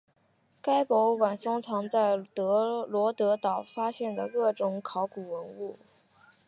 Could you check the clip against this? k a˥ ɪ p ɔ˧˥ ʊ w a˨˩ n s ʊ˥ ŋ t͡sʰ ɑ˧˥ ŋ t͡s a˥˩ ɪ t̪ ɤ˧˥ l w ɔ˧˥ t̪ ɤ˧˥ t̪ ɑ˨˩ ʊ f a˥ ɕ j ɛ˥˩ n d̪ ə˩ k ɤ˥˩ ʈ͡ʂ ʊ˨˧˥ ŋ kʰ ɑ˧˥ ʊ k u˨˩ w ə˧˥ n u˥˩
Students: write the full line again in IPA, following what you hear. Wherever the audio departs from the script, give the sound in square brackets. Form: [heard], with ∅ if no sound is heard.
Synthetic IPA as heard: k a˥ ɪ p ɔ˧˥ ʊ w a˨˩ n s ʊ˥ ŋ t͡sʰ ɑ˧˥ ŋ t͡s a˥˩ ɪ t̪ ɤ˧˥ l w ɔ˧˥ t̪ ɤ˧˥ t̪ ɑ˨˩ ʊ f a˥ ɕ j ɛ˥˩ n d̪ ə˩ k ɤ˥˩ ʈ͡ʂ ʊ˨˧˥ ŋ kʰ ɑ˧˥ ʊ k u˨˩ w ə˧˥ n u˥˩

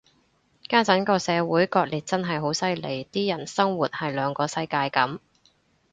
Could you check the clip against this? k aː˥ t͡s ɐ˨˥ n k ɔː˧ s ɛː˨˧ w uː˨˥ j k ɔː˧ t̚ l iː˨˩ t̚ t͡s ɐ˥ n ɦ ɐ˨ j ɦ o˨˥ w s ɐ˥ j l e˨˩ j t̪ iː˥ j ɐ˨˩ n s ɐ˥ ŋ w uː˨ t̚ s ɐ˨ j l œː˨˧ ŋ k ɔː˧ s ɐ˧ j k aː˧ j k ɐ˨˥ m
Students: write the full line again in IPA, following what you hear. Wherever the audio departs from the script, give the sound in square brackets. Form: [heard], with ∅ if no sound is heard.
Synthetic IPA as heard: k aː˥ t͡s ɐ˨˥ n k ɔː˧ s ɛː˨˧ w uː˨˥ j k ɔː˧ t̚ l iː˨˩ t̚ t͡s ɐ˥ n ɦ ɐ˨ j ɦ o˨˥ w s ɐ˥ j l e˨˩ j t̪ iː˥ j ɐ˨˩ n s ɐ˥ ŋ w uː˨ t̚ [h] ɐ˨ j l œː˨˧ ŋ k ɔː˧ s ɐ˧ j k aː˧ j k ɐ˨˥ m

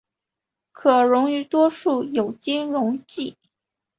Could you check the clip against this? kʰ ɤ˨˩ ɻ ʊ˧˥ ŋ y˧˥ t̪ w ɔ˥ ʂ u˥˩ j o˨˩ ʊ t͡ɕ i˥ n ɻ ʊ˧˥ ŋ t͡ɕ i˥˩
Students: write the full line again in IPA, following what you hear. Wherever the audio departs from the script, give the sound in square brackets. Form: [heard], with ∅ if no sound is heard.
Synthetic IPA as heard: kʰ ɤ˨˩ ɻ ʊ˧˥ ŋ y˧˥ t̪ w ɔ˥ ʂ u˥˩ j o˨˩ ʊ t͡ɕ i˥ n ɻ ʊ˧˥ ŋ t͡ɕ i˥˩

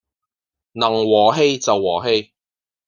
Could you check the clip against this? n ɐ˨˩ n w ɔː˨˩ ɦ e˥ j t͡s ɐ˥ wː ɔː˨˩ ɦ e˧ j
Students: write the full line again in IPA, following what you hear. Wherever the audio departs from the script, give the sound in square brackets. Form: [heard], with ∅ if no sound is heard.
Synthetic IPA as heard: n ɐ˨˩ [ŋ] w ɔː˨˩ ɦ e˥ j t͡s [ɐ˨] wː ɔː˨˩ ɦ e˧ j

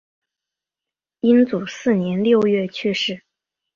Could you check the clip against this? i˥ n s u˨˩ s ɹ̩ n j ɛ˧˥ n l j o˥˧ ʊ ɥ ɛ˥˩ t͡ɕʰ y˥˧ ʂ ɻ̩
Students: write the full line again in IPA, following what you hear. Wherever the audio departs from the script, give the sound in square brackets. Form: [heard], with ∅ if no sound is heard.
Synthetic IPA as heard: i˥ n [t͡s] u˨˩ s ɹ̩ n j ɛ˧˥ n l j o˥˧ ʊ ɥ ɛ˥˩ t͡ɕʰ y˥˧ ʂ ɻ̩

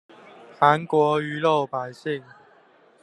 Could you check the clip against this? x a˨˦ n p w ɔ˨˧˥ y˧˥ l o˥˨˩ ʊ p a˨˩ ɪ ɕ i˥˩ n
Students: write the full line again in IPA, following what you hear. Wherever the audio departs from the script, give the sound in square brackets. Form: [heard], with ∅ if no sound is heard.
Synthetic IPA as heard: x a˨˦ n [k] w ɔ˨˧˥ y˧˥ l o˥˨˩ ʊ p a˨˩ ɪ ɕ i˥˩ [ŋ]

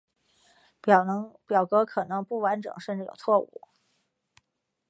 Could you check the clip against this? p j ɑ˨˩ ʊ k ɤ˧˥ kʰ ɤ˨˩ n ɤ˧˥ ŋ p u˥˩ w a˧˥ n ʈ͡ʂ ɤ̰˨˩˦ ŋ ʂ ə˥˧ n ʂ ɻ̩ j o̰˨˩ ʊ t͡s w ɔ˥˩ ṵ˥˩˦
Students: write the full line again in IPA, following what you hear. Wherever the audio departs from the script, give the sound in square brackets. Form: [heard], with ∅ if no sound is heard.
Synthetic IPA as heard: p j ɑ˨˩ ʊ k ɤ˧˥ kʰ ɤ˨˩ n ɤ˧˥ ŋ p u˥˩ w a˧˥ n ʈ͡ʂ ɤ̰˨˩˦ ŋ ʂ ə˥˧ n [ʈ͡ʂ] ɻ̩ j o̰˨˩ ʊ [t͡sʰ] w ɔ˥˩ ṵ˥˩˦

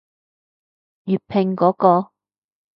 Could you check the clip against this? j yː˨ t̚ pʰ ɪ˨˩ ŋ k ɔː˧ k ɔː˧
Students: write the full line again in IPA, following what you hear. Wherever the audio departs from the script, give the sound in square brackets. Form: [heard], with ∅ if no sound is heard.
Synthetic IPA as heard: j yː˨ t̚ pʰ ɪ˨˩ ŋ k [ɔː˨˥] k ɔː˧

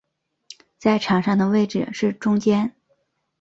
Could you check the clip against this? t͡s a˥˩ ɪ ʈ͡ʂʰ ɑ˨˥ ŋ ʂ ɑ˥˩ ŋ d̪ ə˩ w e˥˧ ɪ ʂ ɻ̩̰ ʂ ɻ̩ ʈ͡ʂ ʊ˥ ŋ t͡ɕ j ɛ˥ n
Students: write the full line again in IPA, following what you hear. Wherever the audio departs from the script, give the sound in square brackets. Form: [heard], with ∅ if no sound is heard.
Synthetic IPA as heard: t͡s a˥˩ ɪ ʈ͡ʂʰ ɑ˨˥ ŋ ʂ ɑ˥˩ ŋ d̪ ə˩ w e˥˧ ɪ [ʈ͡ʂ] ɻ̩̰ ʂ ɻ̩ ʈ͡ʂ ʊ˥ ŋ t͡ɕ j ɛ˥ n

